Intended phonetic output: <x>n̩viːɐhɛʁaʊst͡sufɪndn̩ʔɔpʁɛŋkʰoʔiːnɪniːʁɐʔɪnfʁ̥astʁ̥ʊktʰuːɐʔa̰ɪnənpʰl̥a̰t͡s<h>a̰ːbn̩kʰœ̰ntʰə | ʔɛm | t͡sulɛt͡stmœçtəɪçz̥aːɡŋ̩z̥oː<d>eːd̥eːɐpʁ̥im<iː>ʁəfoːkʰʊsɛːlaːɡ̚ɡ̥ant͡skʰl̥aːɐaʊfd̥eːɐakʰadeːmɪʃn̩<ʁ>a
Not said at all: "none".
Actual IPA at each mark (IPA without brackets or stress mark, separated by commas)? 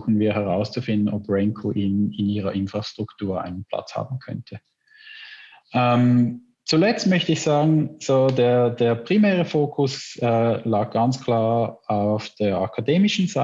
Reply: x, h, d, ɛː, z